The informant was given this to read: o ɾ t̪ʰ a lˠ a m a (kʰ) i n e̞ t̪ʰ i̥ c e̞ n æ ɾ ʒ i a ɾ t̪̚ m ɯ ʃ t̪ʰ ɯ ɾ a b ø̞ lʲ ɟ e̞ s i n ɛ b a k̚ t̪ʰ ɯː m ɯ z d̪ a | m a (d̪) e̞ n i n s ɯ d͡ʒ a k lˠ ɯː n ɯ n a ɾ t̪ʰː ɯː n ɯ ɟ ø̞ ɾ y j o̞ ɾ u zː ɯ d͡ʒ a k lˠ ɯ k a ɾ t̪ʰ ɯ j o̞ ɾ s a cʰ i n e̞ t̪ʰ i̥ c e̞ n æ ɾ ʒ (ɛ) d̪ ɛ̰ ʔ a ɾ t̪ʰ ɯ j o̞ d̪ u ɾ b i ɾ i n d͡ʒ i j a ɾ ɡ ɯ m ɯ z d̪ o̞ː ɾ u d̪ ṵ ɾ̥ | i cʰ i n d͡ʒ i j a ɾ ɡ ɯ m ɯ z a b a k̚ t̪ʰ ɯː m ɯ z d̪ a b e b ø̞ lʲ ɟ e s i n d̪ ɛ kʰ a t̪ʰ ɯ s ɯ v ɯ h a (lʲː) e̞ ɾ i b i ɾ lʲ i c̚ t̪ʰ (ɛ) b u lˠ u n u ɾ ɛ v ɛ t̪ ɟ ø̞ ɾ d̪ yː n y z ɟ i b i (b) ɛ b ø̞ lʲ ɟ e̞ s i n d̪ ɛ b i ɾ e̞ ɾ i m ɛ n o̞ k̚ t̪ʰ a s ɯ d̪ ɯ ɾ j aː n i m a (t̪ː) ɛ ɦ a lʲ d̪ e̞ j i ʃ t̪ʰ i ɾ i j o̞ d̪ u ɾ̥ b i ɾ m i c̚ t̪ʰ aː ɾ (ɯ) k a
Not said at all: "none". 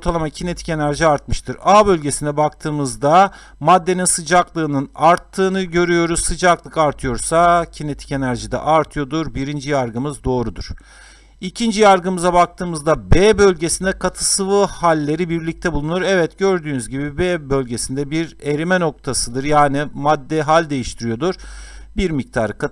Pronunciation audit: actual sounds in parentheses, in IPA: cʰ, d̪ː, i, lʲː, ɛ, b, d̪ː, ɯ

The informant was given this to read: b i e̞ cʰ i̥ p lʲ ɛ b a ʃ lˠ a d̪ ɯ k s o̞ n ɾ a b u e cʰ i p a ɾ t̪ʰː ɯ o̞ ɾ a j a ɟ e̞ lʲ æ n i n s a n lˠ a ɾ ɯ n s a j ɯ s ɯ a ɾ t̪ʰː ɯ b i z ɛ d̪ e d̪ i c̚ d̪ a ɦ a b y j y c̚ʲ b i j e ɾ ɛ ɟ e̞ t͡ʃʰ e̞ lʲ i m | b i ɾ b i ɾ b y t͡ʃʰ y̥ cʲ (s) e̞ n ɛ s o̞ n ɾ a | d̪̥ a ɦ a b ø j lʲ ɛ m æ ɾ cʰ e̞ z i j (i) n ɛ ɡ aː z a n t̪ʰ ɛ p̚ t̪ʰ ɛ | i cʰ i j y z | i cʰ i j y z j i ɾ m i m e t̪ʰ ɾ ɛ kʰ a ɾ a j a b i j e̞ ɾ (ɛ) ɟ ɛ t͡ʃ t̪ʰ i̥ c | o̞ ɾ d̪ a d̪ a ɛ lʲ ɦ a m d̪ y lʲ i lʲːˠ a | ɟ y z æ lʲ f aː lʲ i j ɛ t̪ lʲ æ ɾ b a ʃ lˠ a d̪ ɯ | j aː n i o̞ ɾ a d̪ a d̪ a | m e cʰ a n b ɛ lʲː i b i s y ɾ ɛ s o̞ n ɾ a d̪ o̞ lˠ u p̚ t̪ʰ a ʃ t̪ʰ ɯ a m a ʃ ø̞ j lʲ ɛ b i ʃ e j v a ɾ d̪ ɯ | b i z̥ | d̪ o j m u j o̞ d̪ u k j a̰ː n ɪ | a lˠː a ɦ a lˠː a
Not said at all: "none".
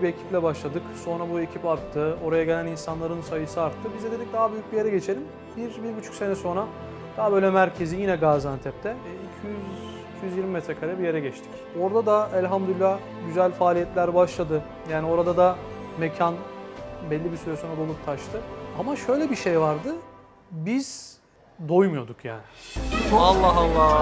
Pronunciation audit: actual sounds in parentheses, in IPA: s, i, ɛ

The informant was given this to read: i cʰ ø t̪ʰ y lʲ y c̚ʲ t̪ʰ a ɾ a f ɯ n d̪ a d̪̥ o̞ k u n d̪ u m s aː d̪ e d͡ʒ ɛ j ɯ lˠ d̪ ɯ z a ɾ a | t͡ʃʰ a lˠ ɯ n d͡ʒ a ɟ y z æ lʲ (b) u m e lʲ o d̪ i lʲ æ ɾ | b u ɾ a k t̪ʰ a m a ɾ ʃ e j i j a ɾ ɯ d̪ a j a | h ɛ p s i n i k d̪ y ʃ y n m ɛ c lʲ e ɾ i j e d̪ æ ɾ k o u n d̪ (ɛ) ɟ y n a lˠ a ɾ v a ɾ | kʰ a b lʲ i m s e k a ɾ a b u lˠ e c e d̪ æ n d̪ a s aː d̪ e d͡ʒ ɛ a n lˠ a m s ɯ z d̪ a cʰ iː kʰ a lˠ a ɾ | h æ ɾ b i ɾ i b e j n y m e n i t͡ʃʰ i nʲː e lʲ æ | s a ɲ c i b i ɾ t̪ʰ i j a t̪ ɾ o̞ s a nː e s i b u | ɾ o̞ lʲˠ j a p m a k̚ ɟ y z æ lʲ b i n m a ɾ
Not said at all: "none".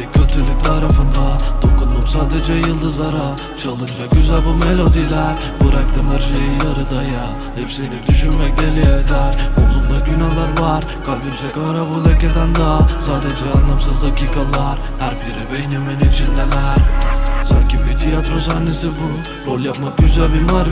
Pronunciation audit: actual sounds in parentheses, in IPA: b, a

